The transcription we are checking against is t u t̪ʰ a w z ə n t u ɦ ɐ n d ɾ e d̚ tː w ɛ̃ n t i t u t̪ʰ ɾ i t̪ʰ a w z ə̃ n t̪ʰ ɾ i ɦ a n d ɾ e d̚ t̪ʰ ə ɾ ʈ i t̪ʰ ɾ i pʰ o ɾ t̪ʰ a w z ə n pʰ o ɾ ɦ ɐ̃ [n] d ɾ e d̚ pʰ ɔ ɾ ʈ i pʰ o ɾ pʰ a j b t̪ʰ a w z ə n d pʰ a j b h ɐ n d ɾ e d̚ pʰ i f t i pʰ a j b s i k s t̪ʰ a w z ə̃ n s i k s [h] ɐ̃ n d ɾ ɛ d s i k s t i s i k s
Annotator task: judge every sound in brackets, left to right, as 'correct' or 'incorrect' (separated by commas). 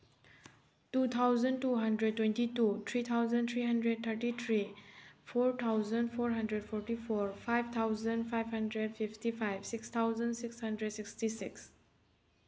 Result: correct, correct